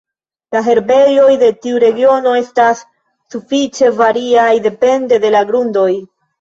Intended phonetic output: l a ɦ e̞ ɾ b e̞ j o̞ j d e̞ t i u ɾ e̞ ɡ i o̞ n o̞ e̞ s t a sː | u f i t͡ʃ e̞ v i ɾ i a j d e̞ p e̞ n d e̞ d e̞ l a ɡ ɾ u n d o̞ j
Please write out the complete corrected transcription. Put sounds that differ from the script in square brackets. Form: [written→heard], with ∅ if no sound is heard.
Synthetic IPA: l a ɦ e̞ ɾ b e̞ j o̞ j d e̞ t i u ɾ e̞ ɡ i o̞ n o̞ e̞ s t a sː | u f i t͡ʃ e̞ v [i→a] ɾ i a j d e̞ p e̞ n d e̞ d e̞ l a ɡ ɾ u n d o̞ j